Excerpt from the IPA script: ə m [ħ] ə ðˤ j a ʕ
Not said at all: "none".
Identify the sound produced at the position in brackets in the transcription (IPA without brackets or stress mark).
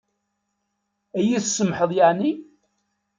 ħ